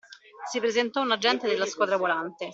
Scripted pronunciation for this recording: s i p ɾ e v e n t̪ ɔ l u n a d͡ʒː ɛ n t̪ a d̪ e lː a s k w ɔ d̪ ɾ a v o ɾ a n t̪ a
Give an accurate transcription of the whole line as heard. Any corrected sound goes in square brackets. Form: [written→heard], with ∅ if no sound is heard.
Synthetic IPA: s i p ɾ e [v→z] e n t̪ ɔ [l→∅] u n a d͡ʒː ɛ n t̪ [a→e] d̪ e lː a s k w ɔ d̪ ɾ a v o [ɾ→l] a n t̪ [a→e]